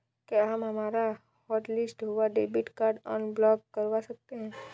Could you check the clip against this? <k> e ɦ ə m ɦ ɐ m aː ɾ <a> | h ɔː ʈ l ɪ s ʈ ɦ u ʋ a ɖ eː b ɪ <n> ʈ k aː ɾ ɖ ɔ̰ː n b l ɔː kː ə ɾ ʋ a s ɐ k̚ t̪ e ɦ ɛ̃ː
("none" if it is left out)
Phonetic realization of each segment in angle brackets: k, a, none

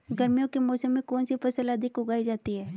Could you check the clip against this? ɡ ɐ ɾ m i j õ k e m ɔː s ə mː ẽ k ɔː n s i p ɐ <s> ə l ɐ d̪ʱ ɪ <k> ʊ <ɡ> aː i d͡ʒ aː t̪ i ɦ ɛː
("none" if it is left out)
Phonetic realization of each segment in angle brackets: s, k, ɡ

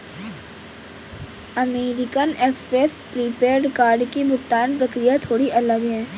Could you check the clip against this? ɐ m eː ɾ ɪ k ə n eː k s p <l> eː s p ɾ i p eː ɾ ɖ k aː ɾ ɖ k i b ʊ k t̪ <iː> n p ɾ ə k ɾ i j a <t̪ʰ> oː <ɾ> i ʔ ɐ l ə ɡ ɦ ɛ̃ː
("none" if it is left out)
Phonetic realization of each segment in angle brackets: ɾ, aː, t̪ʰ, ɽ

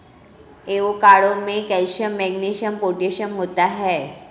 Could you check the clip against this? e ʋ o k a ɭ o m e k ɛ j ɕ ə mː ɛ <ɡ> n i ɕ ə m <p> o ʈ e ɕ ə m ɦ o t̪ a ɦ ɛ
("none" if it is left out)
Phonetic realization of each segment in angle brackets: ɡ, p

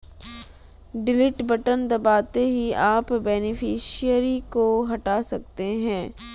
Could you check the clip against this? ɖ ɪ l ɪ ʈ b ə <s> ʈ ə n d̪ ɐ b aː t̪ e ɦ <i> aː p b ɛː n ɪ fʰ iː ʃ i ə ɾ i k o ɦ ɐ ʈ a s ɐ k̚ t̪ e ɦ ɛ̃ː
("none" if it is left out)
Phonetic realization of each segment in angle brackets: none, i

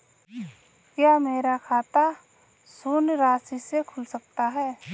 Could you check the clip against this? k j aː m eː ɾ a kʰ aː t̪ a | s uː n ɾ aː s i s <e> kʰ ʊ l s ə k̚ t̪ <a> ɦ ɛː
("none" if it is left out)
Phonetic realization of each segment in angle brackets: e, a

